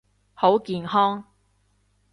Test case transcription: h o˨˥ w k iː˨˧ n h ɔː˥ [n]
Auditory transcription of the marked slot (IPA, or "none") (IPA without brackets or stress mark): ŋ